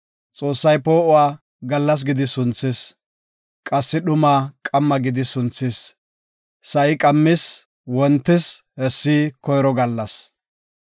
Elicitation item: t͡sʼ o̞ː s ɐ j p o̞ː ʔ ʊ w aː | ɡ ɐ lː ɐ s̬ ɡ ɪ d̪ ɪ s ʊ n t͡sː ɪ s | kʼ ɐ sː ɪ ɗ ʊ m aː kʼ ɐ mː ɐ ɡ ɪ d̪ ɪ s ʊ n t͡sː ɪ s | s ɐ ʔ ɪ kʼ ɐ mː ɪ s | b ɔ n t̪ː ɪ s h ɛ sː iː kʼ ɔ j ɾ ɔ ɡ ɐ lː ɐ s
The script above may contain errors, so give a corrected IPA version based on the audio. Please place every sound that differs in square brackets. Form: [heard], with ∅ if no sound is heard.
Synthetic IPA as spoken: t͡sʼ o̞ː [sː] ɐ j p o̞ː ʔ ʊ w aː | ɡ ɐ lː ɐ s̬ ɡ ɪ d̪ ɪ s ʊ n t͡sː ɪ s | kʼ ɐ sː ɪ ɗ ʊ m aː kʼ ɐ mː ɐ ɡ ɪ d̪ ɪ s ʊ n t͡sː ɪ s | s ɐ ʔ ɪ kʼ ɐ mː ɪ s | [w] ɔ n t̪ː ɪ s h ɛ sː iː [k] ɔ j ɾ ɔ ɡ ɐ lː ɐ s

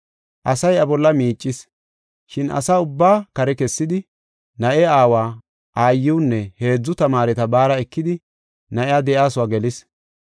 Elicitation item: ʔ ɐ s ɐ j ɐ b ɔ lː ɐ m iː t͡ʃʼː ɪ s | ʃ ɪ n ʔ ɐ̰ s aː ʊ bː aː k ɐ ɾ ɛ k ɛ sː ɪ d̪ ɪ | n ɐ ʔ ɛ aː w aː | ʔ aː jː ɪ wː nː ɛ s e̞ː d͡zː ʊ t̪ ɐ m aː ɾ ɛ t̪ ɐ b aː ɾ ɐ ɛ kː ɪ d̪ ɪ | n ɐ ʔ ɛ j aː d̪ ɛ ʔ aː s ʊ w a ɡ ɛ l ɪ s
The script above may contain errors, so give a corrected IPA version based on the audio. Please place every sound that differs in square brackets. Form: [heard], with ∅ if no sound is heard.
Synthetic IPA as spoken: ʔ ɐ s ɐ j ɐ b ɔ lː ɐ m iː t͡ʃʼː ɪ s | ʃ ɪ n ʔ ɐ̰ s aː ʊ bː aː k ɐ ɾ ɛ k ɛ sː ɪ d̪ ɪ | n ɐ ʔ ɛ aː w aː | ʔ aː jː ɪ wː nː ɛ [h] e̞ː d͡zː ʊ t̪ ɐ m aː ɾ ɛ t̪ ɐ b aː ɾ ɐ ɛ kː ɪ d̪ ɪ | n ɐ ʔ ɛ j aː d̪ ɛ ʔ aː s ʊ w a ɡ ɛ l ɪ s

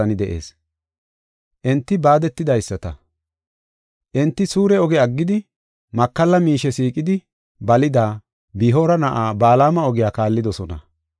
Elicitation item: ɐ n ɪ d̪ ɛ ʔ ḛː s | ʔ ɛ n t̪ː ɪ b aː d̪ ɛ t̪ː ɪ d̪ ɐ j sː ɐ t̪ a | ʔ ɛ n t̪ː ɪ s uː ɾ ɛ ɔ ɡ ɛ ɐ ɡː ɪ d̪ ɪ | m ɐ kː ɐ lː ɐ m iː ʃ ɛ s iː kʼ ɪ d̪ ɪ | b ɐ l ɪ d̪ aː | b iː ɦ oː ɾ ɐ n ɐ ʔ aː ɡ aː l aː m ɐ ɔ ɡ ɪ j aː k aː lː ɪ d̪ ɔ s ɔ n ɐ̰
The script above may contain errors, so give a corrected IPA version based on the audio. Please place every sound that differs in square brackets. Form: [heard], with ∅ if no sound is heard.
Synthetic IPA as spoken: ɐ n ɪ d̪ ɛ ʔ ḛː s | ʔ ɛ n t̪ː ɪ b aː d̪ ɛ t̪ː ɪ d̪ ɐ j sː ɐ t̪ [ɐ] | ʔ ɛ n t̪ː ɪ s uː ɾ ɛ ɔ ɡ ɛ ɐ ɡː ɪ d̪ ɪ | m ɐ kː ɐ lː ɐ m iː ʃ ɛ s iː kʼ ɪ d̪ ɪ | b ɐ l ɪ d̪ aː | b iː ɦ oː ɾ ɐ n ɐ ʔ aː [b] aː l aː m ɐ ɔ ɡ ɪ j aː k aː lː ɪ d̪ ɔ s ɔ n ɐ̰

